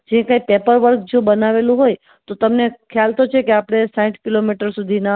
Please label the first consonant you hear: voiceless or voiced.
voiced